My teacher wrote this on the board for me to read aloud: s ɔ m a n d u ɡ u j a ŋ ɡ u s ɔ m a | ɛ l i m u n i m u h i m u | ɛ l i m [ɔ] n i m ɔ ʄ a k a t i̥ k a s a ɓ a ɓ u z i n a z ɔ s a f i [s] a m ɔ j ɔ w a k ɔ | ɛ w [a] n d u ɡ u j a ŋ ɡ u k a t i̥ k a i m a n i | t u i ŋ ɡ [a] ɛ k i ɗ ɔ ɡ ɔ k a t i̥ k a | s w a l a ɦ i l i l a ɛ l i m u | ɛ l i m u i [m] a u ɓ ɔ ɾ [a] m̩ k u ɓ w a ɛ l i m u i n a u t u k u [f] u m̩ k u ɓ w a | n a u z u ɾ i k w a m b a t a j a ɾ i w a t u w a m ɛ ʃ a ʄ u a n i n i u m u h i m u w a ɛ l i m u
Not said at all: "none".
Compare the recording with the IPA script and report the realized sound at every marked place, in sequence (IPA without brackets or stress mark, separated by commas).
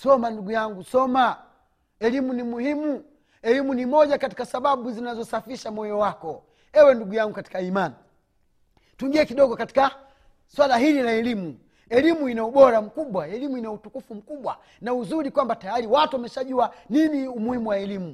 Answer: u, ʃ, ɛ, i, n, a, f